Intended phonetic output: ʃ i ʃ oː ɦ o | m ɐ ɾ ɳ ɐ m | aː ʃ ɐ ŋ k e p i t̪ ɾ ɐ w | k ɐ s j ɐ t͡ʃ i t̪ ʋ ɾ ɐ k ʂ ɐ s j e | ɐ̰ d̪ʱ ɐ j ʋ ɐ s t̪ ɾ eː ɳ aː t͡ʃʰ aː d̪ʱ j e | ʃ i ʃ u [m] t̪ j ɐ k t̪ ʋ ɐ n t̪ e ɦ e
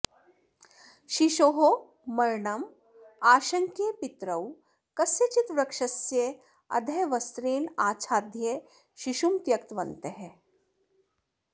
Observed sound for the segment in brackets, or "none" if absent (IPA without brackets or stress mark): m